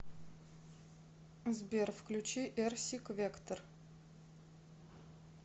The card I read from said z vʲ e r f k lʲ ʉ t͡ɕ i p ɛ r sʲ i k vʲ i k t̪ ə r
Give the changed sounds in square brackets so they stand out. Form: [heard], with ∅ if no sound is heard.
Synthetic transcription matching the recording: z [bʲ] e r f k lʲ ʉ t͡ɕ i [ʔ] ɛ r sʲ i k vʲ [e] k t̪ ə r